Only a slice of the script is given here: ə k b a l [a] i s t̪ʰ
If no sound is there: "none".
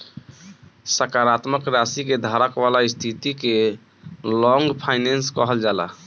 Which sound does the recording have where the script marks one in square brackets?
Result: a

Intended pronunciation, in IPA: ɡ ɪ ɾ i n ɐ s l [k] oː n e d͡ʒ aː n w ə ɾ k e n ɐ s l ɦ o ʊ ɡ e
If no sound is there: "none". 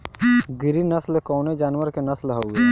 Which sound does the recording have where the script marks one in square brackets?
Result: k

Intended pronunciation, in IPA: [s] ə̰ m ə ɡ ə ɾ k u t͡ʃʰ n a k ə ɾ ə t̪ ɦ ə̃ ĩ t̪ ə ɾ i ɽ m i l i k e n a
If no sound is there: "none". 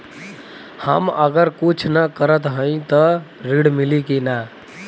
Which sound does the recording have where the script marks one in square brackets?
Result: h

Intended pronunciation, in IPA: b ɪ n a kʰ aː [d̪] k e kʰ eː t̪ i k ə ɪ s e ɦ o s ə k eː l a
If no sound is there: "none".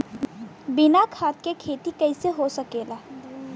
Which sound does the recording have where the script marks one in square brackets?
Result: t̪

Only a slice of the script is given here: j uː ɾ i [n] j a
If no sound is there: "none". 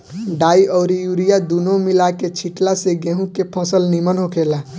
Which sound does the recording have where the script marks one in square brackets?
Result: none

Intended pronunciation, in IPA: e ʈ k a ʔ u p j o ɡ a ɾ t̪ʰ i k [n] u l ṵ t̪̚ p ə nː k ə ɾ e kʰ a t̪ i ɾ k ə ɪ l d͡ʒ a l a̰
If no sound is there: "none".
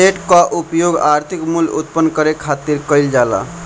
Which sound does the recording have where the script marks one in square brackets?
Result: m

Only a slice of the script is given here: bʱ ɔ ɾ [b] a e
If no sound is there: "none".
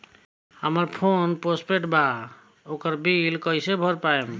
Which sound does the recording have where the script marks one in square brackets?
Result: p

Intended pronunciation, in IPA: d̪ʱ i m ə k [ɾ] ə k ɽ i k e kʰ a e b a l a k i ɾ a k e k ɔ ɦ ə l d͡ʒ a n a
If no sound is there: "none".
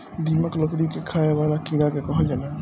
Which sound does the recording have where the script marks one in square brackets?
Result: l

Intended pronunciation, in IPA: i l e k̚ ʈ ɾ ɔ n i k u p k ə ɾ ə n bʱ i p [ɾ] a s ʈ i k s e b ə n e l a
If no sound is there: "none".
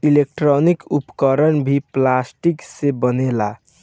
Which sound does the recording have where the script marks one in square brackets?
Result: l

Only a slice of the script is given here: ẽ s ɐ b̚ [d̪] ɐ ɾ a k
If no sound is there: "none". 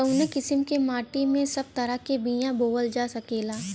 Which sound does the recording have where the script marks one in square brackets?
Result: t̪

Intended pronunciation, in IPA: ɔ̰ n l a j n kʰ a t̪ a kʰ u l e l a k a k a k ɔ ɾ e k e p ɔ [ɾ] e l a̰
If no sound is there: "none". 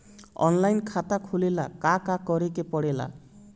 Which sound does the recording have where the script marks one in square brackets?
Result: ɽ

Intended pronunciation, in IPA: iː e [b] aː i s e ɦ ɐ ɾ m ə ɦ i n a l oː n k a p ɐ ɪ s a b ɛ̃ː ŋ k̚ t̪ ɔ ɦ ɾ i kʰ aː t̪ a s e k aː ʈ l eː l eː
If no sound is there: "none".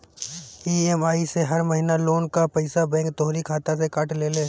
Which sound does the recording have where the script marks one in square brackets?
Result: m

